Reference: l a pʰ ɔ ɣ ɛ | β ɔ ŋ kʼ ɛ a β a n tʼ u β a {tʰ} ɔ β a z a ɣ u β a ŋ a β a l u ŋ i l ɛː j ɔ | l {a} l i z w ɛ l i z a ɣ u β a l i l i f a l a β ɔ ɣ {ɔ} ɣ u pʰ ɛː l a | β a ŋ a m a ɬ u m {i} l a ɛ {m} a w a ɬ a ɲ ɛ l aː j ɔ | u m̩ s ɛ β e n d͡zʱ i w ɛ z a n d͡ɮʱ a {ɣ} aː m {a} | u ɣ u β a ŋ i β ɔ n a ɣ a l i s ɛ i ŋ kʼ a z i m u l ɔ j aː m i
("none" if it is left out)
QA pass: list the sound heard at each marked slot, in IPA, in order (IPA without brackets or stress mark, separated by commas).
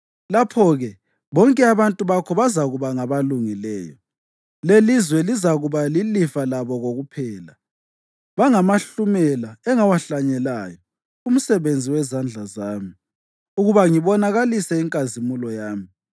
kʰ, e, o, ɛ, ŋ, z, i